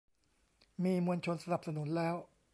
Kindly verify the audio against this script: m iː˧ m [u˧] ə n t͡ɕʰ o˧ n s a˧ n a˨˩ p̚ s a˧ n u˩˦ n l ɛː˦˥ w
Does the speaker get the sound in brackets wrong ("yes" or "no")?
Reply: no